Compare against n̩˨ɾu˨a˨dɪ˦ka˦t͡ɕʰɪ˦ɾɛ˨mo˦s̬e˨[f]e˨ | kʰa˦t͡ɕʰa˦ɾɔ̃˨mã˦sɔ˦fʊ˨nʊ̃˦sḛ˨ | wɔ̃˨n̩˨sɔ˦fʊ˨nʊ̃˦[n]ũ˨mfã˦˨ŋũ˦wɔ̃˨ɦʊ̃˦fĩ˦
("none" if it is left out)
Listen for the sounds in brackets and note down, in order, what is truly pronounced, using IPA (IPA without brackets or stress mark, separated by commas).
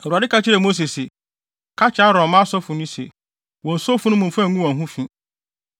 s, m